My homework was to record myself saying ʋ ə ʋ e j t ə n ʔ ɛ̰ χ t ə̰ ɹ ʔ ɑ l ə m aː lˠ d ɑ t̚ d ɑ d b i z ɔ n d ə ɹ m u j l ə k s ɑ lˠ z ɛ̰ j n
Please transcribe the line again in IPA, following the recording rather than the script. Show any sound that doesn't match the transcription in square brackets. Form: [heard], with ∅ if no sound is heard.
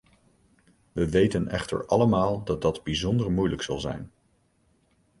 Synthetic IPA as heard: ʋ ə ʋ e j t ə n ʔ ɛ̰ χ t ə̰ ɹ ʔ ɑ l ə m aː lˠ d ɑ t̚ d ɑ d b i z ɔ n d ə ɹ m u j l ə k s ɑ lˠ z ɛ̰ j n